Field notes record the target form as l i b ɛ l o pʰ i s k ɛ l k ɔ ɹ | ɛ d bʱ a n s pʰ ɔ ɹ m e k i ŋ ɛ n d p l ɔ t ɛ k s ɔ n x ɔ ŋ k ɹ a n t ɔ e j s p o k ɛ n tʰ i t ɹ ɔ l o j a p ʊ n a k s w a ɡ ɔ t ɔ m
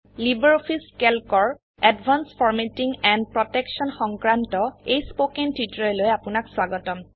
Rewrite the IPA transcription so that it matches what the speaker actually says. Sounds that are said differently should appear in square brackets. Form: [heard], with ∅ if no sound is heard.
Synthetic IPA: l i b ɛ [ɹ] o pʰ i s k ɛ l k ɔ ɹ | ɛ d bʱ a n s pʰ ɔ ɹ m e [t] i ŋ ɛ n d p [ɹ] ɔ t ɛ k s ɔ n x ɔ ŋ k ɹ a n t ɔ e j s p o k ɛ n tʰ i t ɹ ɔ l o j a p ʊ n a k s w a ɡ ɔ t ɔ m